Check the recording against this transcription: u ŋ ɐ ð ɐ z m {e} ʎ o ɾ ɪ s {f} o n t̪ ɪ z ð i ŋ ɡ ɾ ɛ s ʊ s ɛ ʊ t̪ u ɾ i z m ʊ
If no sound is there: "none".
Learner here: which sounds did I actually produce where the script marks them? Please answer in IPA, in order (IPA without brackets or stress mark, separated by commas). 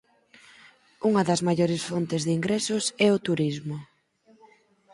a, f